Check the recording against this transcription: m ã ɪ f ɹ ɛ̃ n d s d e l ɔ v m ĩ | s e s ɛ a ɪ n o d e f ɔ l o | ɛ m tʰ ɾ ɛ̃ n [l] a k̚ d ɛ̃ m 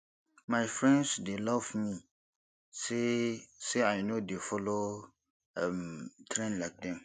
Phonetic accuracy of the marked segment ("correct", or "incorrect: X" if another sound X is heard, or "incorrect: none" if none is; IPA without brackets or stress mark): correct